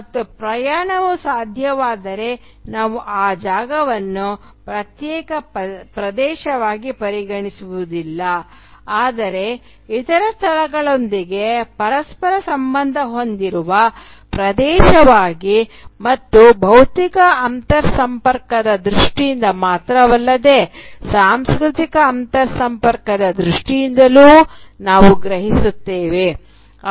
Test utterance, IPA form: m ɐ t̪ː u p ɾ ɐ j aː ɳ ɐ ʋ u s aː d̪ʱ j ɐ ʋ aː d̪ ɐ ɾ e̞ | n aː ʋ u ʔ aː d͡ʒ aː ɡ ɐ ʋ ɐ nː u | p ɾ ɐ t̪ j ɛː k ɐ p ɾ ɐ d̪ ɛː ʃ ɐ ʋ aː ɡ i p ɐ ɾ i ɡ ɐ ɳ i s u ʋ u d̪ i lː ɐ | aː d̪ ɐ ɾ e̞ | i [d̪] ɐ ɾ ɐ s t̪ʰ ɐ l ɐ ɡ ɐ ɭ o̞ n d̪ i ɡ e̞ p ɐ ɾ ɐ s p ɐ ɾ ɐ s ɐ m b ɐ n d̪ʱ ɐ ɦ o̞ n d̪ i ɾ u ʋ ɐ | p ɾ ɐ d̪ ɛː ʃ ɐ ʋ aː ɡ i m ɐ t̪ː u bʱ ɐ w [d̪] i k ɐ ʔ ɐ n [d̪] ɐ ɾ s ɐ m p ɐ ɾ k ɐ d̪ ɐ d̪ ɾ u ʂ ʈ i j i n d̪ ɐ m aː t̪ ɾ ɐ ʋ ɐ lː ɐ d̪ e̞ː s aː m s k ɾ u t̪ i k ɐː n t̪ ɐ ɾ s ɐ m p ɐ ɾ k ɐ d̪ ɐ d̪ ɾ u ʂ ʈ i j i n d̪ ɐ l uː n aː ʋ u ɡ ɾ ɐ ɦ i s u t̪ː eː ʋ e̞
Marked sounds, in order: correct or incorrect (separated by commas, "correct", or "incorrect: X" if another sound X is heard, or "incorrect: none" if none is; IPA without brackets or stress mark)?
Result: incorrect: t̪, incorrect: t̪, incorrect: t̪